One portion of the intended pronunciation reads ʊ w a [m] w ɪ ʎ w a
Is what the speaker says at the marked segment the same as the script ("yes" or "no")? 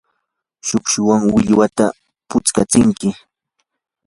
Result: no